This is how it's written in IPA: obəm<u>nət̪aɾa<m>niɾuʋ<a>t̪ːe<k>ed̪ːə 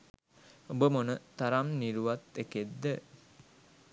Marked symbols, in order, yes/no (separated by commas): no, yes, yes, yes